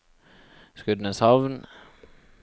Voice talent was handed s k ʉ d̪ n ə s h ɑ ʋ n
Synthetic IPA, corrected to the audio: s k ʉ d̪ n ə s h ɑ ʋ n